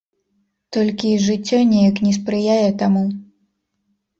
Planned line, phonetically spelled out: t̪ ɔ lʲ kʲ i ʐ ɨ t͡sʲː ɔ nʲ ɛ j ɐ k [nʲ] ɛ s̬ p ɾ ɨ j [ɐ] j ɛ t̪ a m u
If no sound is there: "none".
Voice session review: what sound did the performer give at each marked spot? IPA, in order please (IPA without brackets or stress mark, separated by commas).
nʲ, a